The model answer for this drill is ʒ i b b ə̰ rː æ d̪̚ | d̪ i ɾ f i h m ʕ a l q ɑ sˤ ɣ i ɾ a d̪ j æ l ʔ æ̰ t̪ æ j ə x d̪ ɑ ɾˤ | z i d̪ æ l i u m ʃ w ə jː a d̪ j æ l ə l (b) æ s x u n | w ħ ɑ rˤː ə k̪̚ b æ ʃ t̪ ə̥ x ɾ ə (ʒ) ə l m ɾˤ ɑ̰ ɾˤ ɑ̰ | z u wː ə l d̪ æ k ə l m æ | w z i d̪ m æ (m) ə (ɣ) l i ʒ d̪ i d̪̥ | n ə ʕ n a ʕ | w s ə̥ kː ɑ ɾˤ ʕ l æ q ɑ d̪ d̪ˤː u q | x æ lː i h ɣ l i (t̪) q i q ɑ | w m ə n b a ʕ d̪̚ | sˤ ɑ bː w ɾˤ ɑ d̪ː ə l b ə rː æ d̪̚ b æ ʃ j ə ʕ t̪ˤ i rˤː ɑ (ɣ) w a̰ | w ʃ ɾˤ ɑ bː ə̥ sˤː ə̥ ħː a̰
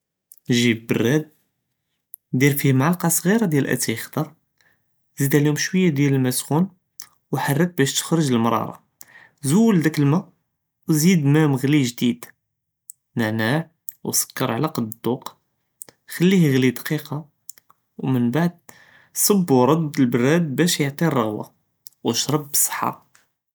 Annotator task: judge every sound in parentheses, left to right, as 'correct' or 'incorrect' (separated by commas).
incorrect, correct, correct, correct, incorrect, correct